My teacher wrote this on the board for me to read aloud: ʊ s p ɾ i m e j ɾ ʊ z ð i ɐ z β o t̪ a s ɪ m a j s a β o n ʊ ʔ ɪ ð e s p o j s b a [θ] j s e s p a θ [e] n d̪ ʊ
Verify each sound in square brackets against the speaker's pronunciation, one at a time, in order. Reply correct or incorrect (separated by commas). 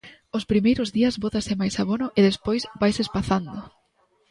incorrect, incorrect